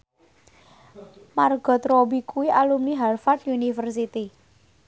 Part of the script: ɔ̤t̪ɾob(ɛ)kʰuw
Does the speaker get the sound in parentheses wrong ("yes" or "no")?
yes